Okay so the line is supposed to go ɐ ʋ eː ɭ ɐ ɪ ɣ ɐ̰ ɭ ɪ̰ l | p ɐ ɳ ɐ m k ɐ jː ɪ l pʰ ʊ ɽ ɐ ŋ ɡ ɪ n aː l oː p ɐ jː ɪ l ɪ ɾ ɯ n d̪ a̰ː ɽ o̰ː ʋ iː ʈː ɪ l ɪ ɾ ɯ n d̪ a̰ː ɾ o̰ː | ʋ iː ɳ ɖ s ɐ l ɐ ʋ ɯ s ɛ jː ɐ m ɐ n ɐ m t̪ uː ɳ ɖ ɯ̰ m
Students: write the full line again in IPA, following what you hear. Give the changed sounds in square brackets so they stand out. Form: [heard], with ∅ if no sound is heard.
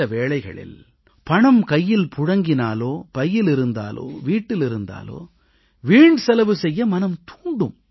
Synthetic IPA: ɐ ʋ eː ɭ ɐ ɪ ɣ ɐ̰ ɭ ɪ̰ l | p ɐ ɳ ɐ m k ɐ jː ɪ l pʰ ʊ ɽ ɐ ŋ ɡ ɪ n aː l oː p ɐ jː ɪ l ɪ ɾ ɯ n d̪ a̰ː [l] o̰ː ʋ iː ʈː ɪ l ɪ ɾ ɯ n d̪ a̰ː [l] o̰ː | ʋ iː ɳ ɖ s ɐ l ɐ ʋ ɯ s ɛ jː ɐ m ɐ n ɐ m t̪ uː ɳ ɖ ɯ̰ m

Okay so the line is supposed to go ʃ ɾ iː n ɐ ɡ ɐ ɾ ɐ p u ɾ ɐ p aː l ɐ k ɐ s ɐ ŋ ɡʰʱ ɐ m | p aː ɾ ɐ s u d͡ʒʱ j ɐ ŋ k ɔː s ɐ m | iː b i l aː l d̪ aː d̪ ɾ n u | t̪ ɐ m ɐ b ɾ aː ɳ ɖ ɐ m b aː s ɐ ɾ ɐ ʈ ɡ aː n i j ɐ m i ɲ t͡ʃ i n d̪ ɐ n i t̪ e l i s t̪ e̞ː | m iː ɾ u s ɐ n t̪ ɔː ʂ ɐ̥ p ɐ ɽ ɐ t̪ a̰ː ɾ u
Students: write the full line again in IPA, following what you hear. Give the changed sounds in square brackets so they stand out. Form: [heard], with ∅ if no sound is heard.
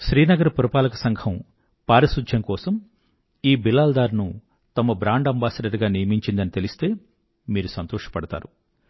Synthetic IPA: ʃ ɾ iː n ɐ ɡ ɐ ɾ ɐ p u ɾ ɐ p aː l ɐ k ɐ s ɐ ŋ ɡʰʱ ɐ m | p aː ɾ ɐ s u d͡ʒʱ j ɐ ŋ k ɔː s ɐ m | iː b i l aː l d̪ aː [∅] ɾ n u | t̪ ɐ m ɐ b ɾ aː ɳ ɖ ɐ m b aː s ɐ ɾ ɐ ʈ ɡ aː n i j ɐ m i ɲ t͡ʃ i n d̪ ɐ n i t̪ e l i s t̪ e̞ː | m iː ɾ u s ɐ n t̪ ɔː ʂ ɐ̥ p ɐ ɽ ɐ t̪ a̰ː ɾ u

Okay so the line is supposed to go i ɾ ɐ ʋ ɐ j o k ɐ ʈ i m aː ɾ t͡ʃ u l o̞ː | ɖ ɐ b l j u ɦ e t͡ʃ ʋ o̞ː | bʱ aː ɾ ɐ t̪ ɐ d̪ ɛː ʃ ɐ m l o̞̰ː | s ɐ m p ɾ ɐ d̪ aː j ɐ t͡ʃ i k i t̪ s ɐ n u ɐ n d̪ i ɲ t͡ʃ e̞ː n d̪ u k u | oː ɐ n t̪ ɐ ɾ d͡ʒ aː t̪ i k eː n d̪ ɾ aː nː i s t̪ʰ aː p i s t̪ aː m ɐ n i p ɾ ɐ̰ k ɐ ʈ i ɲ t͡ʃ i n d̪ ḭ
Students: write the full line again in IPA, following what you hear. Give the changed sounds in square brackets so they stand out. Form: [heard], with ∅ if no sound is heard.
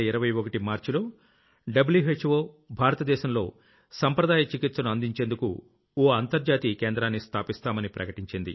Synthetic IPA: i ɾ ɐ ʋ ɐ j o k ɐ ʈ i m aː ɾ t͡ʃ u l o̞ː | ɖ ɐ b l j u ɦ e t͡ʃ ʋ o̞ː | bʱ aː ɾ ɐ t̪ ɐ d̪ ɛː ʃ ɐ m l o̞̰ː | s ɐ m p ɾ ɐ d̪ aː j ɐ t͡ʃ i k i t̪ s ɐ n u ɐ n d̪ i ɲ t͡ʃ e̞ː n d̪ u k u | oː ɐ n t̪ ɐ ɾ d͡ʒ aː t̪ i k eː n d̪ ɾ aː nː i s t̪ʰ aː p i s t̪ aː m ɐ n i p ɾ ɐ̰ k ɐ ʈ i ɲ t͡ʃ i n d̪ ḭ

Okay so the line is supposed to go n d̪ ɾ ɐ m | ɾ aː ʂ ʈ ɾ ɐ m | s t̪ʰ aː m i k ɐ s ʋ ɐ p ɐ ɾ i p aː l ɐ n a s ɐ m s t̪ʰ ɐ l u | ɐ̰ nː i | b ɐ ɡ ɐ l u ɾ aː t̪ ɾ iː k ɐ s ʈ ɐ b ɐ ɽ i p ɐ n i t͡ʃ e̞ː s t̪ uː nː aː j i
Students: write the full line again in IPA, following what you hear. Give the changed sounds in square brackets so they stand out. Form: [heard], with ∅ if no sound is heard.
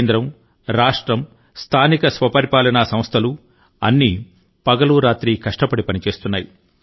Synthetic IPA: n d̪ ɾ ɐ m | ɾ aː ʂ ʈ ɾ ɐ m | s t̪ʰ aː [n] i k ɐ s ʋ ɐ p ɐ ɾ i p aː l ɐ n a s ɐ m s t̪ʰ ɐ l u | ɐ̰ nː i | [p] ɐ ɡ ɐ l u ɾ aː t̪ ɾ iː k ɐ [ʂ] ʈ ɐ [p] ɐ ɽ i p ɐ n i t͡ʃ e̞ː s t̪ [u] nː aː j i

